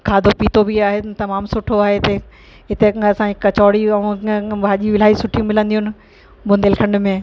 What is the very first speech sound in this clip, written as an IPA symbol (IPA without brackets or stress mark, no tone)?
kʰ